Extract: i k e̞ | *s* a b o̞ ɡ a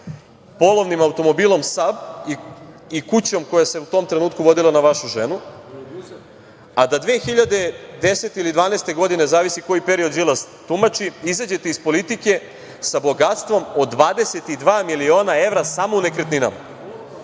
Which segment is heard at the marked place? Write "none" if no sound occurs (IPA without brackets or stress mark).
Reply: s